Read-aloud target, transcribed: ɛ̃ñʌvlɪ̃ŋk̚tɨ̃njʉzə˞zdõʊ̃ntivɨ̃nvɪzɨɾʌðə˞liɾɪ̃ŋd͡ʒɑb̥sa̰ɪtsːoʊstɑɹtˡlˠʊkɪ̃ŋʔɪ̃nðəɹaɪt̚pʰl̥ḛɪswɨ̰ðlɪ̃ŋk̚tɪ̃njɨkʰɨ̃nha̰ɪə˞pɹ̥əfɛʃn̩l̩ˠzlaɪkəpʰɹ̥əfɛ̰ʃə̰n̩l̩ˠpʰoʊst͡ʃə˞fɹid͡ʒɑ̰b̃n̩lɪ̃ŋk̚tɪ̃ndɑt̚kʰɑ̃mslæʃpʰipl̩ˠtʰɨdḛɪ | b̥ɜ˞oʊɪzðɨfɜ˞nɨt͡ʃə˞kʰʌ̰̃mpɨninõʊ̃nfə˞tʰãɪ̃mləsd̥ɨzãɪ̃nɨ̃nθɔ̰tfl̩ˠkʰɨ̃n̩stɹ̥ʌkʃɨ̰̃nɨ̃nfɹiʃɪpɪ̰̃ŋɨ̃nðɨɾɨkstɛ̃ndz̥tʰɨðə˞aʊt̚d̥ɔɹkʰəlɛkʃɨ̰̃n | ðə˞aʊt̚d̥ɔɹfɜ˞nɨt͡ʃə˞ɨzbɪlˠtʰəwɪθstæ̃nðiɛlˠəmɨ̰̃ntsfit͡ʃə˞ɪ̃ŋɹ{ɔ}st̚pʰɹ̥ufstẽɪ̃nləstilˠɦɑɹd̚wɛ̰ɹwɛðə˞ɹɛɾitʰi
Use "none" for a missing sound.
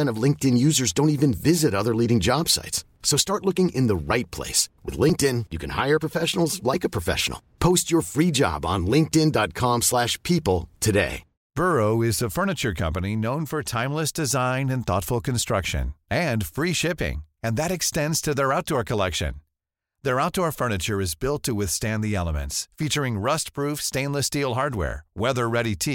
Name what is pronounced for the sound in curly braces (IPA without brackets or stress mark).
ʌ